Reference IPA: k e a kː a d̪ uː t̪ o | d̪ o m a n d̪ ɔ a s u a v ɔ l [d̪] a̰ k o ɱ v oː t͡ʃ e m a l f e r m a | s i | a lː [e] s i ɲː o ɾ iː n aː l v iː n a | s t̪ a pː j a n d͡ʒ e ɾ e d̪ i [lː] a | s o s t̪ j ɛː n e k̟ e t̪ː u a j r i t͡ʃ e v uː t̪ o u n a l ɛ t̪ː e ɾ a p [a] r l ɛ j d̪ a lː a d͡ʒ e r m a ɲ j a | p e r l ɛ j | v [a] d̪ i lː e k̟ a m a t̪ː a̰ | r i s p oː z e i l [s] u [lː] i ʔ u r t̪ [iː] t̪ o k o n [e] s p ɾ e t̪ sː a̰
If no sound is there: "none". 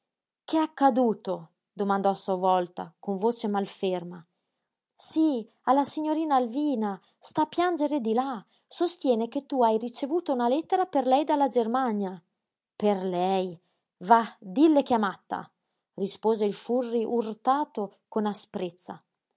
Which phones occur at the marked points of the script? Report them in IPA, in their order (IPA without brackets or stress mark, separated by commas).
t̪, a, l, e, a, f, rː, aː, a